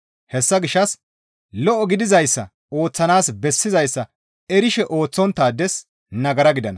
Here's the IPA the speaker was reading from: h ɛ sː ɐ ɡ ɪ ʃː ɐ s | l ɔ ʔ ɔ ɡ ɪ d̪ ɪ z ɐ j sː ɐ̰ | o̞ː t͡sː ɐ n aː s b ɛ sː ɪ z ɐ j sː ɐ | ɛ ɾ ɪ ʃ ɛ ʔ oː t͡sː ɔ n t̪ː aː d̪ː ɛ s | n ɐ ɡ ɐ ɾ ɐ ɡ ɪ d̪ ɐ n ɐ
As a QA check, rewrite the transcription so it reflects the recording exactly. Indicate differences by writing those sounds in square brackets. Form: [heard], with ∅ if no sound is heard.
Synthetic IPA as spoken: h ɛ sː ɐ ɡ ɪ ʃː ɐ s | l ɔ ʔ ɔ ɡ ɪ d̪ ɪ z ɐ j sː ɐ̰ | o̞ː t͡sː ɐ n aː s b ɛ sː ɪ z ɐ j sː ɐ | ɛ ɾ ɪ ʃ ɛ ʔ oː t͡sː ɔ n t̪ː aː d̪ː ɛ s | n ɐ ɡ ɐ ɾ ɐ ɡ ɪ d̪ ɐ n ɐ